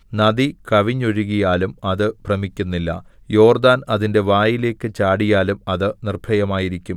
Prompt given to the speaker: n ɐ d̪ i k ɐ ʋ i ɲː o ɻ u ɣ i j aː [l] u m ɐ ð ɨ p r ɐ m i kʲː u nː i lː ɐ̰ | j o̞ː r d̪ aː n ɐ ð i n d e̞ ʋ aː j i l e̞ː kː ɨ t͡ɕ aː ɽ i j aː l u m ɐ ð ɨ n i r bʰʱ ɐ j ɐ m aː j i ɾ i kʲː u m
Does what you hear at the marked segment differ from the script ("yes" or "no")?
no